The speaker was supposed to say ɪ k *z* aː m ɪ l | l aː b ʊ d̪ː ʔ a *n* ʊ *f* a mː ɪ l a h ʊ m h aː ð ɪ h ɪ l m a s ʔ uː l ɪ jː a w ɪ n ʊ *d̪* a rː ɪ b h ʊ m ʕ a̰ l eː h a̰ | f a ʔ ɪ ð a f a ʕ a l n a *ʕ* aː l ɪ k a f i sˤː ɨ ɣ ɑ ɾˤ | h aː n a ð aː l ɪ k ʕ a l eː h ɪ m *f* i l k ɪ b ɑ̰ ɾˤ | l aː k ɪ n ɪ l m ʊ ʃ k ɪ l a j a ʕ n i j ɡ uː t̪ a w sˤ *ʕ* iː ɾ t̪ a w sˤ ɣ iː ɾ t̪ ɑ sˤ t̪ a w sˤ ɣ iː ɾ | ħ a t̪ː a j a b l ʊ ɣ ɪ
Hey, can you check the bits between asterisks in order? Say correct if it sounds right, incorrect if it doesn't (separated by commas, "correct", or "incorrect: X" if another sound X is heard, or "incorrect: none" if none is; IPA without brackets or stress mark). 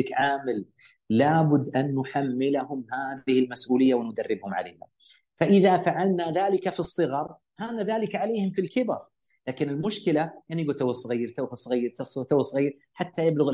incorrect: ʕ, incorrect: nː, incorrect: ħ, correct, incorrect: ð, correct, incorrect: ɣ